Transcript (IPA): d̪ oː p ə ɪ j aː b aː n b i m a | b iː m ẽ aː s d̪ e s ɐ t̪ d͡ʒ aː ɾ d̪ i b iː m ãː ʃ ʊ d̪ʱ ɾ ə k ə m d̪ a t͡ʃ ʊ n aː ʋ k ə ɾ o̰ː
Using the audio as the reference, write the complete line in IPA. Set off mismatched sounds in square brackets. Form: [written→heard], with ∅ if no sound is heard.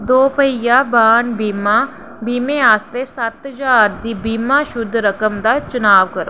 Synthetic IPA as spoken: d̪ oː p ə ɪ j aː b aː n b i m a | b iː m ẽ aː s [d̪→t̪] e s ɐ t̪ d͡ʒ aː ɾ d̪ i b iː m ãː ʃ ʊ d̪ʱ ɾ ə k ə m d̪ a t͡ʃ ʊ n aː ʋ k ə ɾ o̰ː